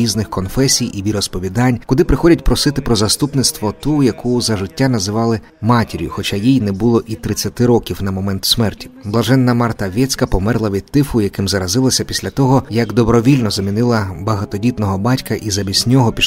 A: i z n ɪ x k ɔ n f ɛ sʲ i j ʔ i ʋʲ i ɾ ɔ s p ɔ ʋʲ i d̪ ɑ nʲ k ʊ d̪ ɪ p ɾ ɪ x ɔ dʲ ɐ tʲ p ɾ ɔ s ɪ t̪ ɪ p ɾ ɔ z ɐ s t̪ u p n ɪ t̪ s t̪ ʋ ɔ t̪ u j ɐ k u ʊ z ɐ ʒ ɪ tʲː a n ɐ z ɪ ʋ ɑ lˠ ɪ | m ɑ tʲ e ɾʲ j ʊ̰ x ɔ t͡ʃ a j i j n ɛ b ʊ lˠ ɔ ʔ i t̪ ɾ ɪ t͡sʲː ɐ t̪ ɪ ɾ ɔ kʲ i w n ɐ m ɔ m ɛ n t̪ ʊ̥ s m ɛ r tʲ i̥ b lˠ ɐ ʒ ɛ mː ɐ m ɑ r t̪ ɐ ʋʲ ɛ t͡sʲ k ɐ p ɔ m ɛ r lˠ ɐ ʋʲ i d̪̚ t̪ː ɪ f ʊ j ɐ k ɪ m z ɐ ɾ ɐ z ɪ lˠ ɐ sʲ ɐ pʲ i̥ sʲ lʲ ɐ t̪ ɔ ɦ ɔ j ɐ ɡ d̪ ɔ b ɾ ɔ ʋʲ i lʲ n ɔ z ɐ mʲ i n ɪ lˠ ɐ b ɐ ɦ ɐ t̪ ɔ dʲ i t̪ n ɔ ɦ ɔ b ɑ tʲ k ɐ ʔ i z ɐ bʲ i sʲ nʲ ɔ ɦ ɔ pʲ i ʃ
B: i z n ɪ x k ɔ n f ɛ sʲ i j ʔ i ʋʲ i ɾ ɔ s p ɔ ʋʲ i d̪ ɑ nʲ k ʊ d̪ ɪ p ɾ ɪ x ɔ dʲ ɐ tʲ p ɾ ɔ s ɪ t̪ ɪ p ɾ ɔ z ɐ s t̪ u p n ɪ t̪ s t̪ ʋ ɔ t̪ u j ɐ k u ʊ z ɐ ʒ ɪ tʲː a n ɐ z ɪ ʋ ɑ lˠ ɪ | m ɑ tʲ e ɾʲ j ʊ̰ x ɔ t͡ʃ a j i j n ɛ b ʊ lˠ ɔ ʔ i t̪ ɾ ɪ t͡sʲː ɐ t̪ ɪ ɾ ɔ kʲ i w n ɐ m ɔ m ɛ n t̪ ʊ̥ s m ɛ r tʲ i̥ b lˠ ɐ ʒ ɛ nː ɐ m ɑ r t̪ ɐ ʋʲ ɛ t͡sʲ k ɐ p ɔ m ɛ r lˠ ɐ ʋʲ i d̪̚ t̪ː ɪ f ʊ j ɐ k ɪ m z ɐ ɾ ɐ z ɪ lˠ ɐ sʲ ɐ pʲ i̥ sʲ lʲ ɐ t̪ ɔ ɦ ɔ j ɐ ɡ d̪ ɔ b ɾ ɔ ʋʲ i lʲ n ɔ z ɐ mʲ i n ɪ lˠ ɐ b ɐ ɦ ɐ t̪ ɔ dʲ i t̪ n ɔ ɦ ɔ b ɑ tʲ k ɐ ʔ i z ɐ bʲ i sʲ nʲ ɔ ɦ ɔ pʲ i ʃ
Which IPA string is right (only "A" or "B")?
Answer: B